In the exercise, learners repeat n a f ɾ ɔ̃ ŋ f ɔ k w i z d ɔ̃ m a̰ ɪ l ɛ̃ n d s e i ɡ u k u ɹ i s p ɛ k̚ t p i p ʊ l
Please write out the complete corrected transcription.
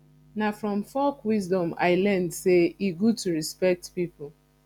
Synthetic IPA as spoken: n a f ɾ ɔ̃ m f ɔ k w i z d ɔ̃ m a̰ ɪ l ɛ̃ n d s e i ɡ u t u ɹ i s p ɛ k̚ t p i p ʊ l